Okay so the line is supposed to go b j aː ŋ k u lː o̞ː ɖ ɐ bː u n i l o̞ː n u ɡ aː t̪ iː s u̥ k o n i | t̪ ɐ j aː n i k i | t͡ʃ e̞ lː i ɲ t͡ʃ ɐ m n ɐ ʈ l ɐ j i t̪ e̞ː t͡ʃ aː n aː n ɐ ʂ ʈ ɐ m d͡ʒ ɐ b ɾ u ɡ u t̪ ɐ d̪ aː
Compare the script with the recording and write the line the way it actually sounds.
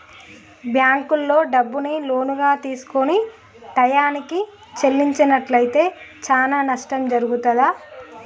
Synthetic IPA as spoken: b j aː ŋ k u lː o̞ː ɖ ɐ bː u n i l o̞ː n u ɡ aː t̪ iː s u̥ k o n i | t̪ ɐ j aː n i k i | t͡ʃ e̞ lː i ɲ t͡ʃ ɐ n ɐ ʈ l ɐ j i t̪ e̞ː t͡ʃ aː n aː n ɐ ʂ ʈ ɐ m d͡ʒ ɐ ɾ u ɡ u t̪ ɐ d̪ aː